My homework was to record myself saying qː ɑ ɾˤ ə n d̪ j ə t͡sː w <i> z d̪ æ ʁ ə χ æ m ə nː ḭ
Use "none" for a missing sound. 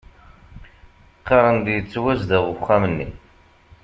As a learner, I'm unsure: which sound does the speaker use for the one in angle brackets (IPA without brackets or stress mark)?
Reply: æ